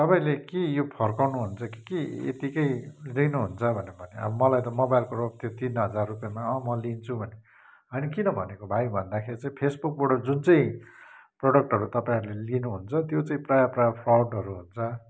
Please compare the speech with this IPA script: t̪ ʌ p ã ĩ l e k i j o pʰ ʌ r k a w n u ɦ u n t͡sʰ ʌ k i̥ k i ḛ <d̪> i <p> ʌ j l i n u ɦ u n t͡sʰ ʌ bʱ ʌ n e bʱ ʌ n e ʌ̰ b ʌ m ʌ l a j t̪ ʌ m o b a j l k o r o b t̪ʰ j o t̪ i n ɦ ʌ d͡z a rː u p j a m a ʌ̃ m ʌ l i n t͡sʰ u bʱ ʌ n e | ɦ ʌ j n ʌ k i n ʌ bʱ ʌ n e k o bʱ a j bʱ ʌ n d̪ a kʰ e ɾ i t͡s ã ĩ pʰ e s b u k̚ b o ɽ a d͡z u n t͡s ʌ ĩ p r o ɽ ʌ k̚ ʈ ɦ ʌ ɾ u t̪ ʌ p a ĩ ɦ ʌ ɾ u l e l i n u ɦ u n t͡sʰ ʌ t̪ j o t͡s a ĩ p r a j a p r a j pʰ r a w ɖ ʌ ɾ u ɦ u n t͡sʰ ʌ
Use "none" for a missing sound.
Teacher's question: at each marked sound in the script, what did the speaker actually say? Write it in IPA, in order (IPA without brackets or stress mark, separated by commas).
t̪, k